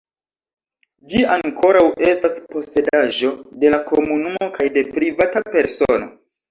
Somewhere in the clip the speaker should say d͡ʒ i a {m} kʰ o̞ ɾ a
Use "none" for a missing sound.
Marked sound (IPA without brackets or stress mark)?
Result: ŋ